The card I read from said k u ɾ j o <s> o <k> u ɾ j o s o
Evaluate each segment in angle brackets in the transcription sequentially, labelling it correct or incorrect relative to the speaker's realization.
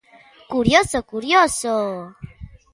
correct, correct

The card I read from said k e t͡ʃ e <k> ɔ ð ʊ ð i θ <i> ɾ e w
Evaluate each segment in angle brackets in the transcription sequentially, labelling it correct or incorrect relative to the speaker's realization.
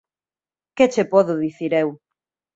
incorrect: p, correct

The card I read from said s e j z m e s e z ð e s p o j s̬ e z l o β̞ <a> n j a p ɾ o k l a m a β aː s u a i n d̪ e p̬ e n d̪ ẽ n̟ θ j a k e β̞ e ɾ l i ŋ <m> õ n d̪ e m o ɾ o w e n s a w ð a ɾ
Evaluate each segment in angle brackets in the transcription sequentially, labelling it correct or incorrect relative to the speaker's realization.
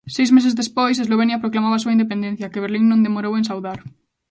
incorrect: e, incorrect: n

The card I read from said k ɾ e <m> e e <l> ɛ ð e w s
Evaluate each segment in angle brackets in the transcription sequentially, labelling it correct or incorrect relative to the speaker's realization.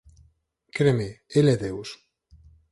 correct, correct

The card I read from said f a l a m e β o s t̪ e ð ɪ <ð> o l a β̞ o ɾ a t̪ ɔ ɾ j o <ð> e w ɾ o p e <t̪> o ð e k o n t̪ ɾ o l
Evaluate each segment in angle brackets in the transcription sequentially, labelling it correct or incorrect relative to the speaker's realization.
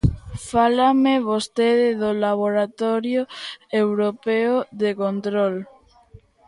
correct, incorrect: none, incorrect: none

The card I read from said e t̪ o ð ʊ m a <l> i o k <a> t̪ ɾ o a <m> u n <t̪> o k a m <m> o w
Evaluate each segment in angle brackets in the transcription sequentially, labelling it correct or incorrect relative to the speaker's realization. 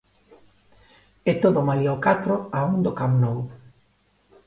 correct, correct, incorrect: none, incorrect: d̪, incorrect: n

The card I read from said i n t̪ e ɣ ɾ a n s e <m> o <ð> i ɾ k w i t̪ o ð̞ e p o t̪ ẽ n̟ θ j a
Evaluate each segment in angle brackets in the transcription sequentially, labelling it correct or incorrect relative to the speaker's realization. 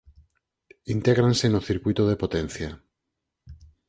incorrect: n, incorrect: θ

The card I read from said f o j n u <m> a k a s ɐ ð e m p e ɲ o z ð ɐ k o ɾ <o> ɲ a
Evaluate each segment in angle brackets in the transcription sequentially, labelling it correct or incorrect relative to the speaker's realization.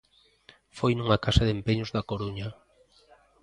incorrect: ŋ, incorrect: u

